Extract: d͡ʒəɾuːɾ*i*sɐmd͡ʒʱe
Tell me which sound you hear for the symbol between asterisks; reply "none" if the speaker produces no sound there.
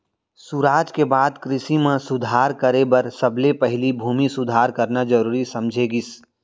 i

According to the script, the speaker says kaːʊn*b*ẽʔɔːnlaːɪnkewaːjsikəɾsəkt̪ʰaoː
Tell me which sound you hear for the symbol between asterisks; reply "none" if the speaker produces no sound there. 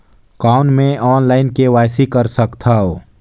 m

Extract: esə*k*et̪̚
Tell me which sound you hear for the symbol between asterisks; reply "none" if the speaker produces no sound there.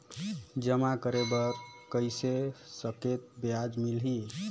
k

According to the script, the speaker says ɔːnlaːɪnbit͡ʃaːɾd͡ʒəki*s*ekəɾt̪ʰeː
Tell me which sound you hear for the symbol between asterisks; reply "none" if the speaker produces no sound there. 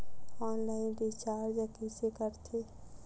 s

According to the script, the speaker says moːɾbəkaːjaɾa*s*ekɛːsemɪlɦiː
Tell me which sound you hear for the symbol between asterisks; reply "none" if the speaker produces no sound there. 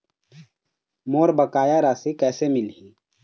s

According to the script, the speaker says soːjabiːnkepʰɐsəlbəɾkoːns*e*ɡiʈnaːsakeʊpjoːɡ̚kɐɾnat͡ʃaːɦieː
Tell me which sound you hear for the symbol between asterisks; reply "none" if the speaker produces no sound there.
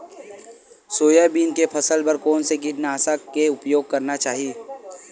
e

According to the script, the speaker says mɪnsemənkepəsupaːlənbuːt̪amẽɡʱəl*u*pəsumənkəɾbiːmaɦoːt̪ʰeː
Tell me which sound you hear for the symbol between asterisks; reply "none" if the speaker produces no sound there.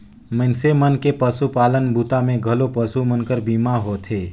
o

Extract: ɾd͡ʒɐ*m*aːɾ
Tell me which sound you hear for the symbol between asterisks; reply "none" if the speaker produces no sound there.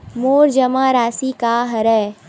m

